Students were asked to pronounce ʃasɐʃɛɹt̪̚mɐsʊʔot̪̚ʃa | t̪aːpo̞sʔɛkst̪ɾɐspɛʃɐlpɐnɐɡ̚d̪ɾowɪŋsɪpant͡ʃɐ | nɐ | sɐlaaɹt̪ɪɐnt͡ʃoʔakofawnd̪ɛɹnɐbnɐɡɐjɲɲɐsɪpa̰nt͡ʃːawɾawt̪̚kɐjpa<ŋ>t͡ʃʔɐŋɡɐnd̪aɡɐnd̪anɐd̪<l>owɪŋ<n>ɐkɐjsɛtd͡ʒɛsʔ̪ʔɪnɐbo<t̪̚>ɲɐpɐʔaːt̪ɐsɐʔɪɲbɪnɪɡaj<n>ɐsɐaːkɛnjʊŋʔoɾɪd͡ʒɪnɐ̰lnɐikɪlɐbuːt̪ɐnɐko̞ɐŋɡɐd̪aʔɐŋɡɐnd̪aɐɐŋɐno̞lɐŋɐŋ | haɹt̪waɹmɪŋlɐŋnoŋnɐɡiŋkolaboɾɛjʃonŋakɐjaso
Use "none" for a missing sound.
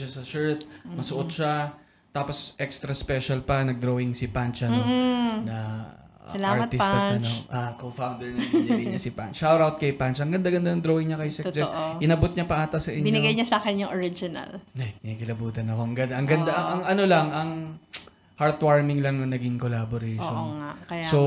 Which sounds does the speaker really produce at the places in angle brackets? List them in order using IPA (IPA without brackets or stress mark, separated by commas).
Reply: n, ɾ, ɲ, t̪̚, ɲ